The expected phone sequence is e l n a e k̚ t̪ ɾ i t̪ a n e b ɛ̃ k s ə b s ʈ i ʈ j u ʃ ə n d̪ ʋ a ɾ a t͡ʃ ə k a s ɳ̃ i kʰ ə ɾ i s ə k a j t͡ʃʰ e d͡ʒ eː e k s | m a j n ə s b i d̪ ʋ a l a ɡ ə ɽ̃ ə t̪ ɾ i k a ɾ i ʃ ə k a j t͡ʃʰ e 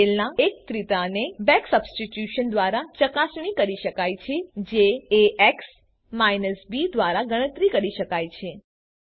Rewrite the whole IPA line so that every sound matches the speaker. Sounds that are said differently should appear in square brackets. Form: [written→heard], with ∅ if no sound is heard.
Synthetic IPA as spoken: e l n a e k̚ t̪ ɾ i t̪ a n e b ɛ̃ k s ə b s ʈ i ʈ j u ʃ ə n d̪ ʋ a ɾ a t͡ʃ ə k a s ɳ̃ i [kʰ→k] ə ɾ i [s→ʃ] ə k a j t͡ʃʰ e d͡ʒ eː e k s | m a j n ə s b i d̪ ʋ a [l→ɾ] a ɡ ə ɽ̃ ə t̪ ɾ i k [a→ə] ɾ i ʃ ə k a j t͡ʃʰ e